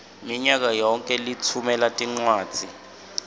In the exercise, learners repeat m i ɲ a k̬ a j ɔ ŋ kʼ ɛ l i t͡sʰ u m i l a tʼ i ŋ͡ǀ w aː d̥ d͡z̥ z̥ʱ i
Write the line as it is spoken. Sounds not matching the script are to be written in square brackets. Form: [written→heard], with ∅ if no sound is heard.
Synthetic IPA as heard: m i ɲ a k̬ a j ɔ ŋ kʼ ɛ l i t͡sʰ u m [i→ɛ] l a tʼ i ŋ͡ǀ w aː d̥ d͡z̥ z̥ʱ i